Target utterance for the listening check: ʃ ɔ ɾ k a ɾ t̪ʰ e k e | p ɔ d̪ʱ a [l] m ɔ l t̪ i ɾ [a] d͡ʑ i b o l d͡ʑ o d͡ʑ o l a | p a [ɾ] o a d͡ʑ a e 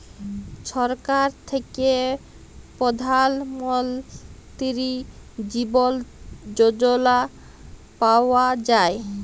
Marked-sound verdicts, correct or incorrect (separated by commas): correct, incorrect, incorrect